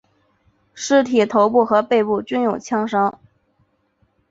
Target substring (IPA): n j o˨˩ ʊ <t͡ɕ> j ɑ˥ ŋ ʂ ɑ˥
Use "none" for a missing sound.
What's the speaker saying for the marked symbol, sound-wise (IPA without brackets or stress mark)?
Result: t͡ɕʰ